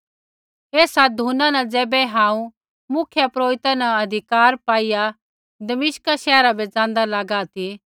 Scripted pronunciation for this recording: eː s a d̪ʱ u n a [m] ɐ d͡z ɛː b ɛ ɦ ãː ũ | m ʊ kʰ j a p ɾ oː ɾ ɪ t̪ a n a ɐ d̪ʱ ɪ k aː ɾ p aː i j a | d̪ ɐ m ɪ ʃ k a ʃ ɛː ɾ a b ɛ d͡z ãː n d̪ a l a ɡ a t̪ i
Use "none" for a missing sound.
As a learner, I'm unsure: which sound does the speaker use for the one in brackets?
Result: n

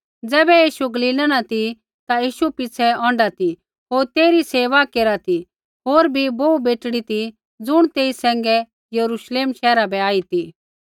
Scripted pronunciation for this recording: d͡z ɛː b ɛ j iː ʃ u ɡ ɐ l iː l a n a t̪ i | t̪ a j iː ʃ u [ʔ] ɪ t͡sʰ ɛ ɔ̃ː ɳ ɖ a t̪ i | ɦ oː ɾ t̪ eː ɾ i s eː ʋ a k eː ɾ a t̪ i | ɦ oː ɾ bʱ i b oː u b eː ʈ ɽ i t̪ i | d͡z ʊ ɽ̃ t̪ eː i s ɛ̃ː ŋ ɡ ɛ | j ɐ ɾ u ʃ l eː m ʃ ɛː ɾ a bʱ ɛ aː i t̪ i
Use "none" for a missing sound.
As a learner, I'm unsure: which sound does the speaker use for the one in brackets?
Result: p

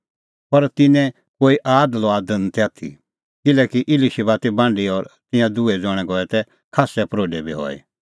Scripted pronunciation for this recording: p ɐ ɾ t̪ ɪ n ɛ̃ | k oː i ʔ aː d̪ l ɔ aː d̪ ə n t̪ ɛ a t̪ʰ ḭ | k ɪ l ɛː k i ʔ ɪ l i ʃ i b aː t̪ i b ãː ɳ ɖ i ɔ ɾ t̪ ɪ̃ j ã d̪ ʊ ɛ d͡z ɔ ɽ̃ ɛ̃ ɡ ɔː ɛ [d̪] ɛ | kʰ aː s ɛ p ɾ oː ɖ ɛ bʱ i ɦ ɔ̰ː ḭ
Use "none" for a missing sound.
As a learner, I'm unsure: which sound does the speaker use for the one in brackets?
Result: t̪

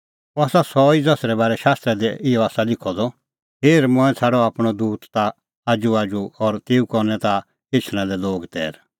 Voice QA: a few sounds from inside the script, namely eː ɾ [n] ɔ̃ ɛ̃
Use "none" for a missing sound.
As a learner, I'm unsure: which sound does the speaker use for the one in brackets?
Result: m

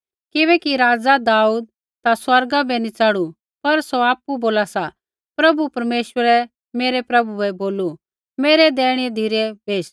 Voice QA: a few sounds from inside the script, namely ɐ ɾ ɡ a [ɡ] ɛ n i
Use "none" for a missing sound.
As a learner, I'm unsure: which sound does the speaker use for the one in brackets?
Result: b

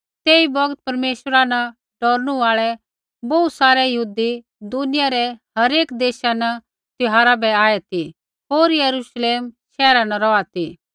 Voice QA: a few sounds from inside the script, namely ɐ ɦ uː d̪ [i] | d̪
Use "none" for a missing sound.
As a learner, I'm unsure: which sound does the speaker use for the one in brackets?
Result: i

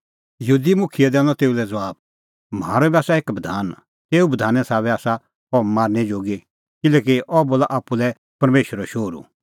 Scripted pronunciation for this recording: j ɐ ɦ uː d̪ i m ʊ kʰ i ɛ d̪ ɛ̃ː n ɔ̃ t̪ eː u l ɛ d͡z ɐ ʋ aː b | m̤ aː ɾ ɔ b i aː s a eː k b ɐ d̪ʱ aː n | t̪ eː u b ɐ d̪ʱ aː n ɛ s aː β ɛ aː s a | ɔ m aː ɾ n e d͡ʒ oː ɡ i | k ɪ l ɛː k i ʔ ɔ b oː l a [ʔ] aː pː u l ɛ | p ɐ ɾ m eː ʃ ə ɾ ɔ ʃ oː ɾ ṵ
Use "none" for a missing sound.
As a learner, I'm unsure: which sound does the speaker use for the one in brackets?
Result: ʔ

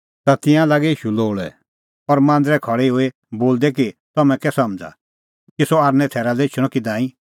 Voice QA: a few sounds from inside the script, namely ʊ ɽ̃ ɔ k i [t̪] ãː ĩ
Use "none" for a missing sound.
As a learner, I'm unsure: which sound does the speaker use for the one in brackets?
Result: d̪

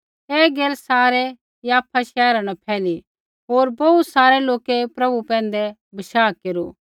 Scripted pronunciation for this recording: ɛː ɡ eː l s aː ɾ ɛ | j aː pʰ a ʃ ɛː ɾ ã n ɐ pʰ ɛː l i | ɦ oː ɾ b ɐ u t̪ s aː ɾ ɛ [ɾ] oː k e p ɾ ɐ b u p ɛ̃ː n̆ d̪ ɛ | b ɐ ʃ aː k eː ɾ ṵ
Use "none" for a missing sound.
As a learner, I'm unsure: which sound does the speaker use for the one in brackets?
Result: l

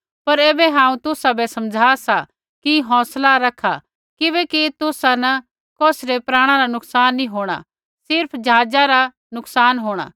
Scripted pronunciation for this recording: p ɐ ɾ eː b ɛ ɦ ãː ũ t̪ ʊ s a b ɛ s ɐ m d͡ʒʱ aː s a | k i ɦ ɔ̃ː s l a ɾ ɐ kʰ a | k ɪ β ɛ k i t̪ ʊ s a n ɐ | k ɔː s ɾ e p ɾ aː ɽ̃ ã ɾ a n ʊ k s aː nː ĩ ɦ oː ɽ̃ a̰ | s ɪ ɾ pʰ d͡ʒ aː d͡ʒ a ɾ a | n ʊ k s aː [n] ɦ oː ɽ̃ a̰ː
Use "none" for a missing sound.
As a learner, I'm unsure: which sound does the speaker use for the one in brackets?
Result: n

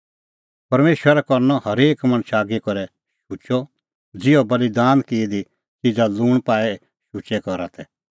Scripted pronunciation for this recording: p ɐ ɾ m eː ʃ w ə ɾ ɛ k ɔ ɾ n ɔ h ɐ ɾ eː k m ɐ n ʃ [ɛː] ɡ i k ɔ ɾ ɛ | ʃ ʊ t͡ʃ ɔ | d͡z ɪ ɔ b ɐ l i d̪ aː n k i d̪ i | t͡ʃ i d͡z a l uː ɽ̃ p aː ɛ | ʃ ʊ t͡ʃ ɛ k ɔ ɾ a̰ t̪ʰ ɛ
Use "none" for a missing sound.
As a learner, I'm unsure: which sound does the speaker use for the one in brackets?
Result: aː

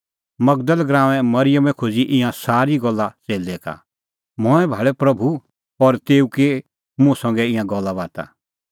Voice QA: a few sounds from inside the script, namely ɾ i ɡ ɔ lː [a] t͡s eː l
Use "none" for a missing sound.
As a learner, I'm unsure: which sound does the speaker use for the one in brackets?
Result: a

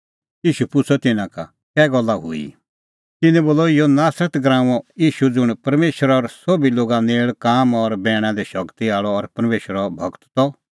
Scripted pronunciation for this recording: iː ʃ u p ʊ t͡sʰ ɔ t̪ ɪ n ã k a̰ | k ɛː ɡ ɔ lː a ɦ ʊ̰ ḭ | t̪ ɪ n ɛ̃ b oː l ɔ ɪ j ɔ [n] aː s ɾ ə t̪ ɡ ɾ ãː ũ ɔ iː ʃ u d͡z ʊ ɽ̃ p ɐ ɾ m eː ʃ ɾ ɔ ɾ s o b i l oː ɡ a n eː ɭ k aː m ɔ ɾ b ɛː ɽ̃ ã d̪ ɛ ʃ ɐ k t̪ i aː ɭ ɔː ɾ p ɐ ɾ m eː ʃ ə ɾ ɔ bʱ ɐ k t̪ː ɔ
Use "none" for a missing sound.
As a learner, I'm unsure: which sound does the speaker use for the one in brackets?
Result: n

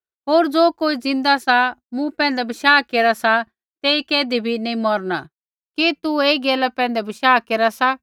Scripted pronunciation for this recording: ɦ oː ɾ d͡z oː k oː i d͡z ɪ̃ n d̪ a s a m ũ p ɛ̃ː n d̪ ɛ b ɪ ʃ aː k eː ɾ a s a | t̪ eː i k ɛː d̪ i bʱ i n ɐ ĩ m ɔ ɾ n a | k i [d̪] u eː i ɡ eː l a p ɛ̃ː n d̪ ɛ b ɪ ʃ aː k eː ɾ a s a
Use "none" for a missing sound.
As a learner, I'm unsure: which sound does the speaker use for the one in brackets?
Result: t̪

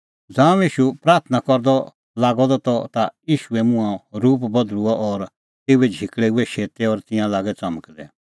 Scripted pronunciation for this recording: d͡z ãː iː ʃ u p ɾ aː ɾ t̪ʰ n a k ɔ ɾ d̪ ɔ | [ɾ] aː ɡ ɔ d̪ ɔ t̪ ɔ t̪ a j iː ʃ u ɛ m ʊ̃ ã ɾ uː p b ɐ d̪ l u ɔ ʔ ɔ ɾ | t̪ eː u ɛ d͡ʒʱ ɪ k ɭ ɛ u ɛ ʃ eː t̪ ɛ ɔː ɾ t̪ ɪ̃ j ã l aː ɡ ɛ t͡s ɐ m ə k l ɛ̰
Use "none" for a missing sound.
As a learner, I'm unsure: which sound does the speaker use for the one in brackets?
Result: l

